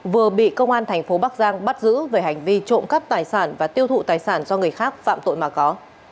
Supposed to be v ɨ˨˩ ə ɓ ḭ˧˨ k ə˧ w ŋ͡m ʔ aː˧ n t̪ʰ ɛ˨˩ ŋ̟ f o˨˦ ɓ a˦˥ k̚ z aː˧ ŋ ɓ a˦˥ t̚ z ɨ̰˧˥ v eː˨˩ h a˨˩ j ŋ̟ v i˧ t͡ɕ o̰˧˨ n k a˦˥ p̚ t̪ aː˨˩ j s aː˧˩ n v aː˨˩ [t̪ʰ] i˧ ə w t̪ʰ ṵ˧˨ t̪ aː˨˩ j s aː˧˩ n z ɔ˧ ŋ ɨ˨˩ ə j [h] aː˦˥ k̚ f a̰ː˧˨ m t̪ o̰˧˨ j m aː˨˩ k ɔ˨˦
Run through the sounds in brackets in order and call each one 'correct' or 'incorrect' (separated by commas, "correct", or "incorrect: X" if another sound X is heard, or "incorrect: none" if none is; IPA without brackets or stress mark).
incorrect: t̪, incorrect: x